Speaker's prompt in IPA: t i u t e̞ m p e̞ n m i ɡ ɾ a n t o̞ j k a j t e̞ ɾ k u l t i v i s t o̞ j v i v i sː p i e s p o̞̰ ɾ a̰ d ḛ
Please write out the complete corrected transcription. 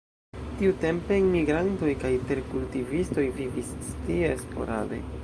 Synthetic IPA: t i u t e̞ m p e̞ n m i ɡ ɾ a n t o̞ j k a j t e̞ ɾ k u l t i v i s t o̞ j v i v i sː t i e s p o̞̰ ɾ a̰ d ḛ